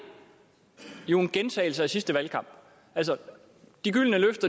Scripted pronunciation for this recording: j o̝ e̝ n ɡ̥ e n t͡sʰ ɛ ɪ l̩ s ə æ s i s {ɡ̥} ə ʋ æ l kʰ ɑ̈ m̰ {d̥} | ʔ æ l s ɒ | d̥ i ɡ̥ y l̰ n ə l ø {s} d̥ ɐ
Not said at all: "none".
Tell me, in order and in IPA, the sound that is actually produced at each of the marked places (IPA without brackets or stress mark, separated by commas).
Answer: d̥, b̥, f